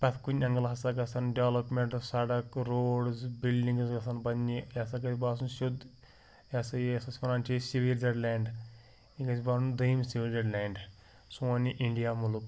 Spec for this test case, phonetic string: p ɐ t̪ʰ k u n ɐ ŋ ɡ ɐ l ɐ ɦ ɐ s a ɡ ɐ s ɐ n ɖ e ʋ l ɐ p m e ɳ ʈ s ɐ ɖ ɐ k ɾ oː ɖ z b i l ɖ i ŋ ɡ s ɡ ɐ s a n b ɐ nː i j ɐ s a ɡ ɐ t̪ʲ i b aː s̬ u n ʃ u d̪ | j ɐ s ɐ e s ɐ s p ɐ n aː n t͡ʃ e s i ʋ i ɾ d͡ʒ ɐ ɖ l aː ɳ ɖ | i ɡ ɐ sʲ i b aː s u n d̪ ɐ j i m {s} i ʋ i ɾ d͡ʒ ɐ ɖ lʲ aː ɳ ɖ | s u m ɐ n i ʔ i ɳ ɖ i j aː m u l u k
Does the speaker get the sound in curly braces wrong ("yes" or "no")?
no